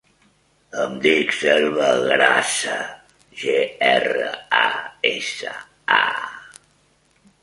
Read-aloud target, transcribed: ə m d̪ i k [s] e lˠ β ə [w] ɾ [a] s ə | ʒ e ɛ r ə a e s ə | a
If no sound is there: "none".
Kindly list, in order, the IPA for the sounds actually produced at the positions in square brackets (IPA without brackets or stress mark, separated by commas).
s, ɣ, a